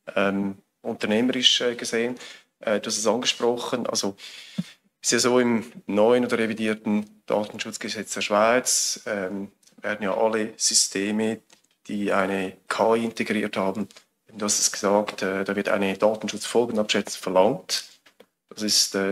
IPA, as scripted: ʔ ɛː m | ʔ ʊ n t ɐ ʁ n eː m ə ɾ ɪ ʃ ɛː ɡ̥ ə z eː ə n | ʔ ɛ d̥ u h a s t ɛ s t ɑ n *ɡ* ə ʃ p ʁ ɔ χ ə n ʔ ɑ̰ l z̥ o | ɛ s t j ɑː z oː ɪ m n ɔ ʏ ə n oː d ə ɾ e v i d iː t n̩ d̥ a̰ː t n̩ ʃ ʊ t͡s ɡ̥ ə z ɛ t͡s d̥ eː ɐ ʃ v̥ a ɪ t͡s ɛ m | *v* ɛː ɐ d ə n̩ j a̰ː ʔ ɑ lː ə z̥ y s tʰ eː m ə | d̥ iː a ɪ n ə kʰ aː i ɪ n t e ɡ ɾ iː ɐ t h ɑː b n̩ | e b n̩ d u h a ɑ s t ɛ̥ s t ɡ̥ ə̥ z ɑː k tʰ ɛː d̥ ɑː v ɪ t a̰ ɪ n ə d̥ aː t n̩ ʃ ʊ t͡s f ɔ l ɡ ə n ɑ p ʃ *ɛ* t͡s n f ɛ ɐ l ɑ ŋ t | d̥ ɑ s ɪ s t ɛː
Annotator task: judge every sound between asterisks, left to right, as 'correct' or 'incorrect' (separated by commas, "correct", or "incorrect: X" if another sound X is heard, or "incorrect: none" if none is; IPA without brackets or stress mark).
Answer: correct, correct, correct